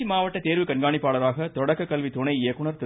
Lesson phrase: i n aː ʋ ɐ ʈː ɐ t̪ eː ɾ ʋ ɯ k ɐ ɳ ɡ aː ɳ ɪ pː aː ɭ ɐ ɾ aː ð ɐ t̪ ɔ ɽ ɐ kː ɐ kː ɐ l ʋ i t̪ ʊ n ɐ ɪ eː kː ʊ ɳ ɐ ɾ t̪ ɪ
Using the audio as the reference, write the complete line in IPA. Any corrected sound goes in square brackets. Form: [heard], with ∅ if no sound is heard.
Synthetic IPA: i [m] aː ʋ ɐ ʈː ɐ t̪ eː ɾ ʋ ɯ k ɐ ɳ ɡ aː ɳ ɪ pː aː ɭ ɐ ɾ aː [ɣ] ɐ t̪ ɔ ɽ ɐ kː ɐ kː ɐ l ʋ i t̪ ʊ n ɐ ɪ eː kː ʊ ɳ ɐ ɾ t̪ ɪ

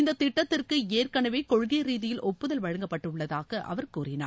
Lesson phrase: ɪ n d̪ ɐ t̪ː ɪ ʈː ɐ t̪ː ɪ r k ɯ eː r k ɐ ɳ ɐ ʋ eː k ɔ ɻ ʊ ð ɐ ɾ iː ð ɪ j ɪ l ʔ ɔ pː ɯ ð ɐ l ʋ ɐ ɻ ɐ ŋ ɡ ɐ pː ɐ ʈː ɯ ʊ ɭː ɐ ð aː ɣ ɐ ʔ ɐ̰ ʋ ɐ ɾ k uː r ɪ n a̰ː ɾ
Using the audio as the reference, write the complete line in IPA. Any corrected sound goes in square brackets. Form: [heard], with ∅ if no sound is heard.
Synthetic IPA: ɪ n d̪ ɐ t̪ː ɪ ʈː ɐ t̪ː ɪ r k ɯ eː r k ɐ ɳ ɐ ʋ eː k ɔ ɻ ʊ [ɣ] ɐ ɾ iː ð ɪ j ɪ l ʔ ɔ pː ɯ ð ɐ l ʋ ɐ ɻ ɐ ŋ ɡ ɐ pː ɐ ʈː ɯ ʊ ɭː ɐ ð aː ɣ ɐ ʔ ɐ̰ ʋ ɐ ɾ k uː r ɪ n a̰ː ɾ

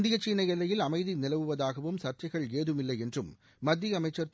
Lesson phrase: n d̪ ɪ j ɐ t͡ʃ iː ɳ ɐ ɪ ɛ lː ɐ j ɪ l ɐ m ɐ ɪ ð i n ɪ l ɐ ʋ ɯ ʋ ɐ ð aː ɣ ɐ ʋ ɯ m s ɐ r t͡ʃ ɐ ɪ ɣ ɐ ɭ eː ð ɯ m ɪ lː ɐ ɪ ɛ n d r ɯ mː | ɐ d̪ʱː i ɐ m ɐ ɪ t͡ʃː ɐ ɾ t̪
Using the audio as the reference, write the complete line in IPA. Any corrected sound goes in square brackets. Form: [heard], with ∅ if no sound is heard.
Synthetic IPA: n d̪ ɪ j ɐ t͡ʃ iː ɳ ɐ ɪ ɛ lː ɐ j ɪ l ɐ m ɐ ɪ ð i n ɪ l ɐ ʋ ɯ ʋ ɐ ð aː ɣ ɐ ʋ ɯ m s ɐ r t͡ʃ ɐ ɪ ɣ ɐ ɭ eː ð ɯ m ɪ lː ɐ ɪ ɛ n d r ɯ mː | ɐ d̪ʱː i ɐ m ɐ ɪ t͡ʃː ɐ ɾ t̪

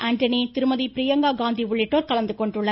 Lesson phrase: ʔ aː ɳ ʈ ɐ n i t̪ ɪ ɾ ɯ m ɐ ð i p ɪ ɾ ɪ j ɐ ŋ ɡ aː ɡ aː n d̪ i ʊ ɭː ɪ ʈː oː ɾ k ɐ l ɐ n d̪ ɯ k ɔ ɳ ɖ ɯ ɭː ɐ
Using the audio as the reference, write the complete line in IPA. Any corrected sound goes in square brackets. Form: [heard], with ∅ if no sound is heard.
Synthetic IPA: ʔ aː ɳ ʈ ɐ n i t̪ ɪ ɾ ɯ m ɐ ð i p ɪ ɾ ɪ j ɐ ŋ ɡ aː ɡ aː n d̪ i ʊ ɭː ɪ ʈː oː ɾ k ɐ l ɐ n d̪ ɯ k ɔ ɳ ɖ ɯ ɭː ɐ

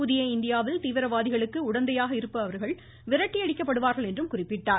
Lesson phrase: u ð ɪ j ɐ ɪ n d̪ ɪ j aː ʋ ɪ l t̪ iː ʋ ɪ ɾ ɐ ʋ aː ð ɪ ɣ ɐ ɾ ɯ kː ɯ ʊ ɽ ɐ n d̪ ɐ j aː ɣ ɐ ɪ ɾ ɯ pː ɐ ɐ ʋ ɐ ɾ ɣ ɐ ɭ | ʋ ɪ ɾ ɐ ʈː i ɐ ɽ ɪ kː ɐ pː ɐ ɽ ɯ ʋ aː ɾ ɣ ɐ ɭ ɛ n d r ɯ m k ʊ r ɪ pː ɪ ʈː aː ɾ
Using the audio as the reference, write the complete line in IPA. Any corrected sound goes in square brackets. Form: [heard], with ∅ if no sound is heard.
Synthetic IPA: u ð ɪ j ɐ ɪ n d̪ ɪ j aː ʋ ɪ l t̪ iː ʋ ɪ ɾ ɐ ʋ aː ð ɪ ɣ ɐ [ɭ] ɯ kː ɯ ʊ ɽ ɐ n d̪ ɐ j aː ɣ ɐ ɪ ɾ ɯ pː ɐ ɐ ʋ ɐ ɾ ɣ ɐ ɭ | ʋ ɪ ɾ ɐ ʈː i ɐ ɽ ɪ kː ɐ pː ɐ ɽ ɯ ʋ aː ɾ ɣ ɐ ɭ ɛ n d r ɯ m k ʊ r ɪ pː ɪ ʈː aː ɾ

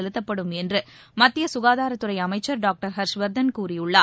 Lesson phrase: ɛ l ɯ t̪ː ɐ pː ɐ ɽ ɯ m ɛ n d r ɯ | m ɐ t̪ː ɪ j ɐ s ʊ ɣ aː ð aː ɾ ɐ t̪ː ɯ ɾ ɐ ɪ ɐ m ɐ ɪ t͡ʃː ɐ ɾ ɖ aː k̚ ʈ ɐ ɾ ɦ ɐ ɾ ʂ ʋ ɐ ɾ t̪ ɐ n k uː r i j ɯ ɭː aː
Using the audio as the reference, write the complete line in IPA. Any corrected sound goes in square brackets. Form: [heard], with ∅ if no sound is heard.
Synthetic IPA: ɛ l ɯ t̪ː ɐ pː ɐ ɽ ɯ m ɛ n d r ɯ | m ɐ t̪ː ɪ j ɐ s ʊ ɣ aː ð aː ɾ ɐ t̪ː ɯ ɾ ɐ ɪ ɐ m ɐ ɪ t͡ʃː ɐ ɾ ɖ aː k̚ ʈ ɐ ɾ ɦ ɐ ɾ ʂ ʋ ɐ ɾ [d̪] ɐ n k uː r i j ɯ ɭː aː

